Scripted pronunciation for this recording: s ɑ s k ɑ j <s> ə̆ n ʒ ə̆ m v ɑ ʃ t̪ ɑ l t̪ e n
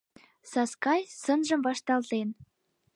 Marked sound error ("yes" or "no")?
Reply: no